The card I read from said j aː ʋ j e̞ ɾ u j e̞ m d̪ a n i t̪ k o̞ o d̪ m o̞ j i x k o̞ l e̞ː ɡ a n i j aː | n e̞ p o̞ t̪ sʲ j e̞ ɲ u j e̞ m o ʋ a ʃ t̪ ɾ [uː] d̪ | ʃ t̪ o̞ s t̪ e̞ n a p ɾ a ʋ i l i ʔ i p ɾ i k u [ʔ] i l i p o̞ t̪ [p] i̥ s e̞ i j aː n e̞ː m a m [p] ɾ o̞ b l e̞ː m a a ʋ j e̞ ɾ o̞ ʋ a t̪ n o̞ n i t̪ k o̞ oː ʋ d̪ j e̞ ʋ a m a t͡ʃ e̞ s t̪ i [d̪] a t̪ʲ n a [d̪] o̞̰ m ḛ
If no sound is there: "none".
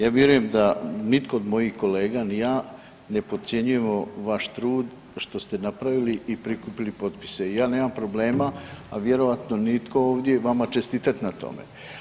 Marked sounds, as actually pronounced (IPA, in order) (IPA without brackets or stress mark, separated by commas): uː, p, p, p, t̪, t̪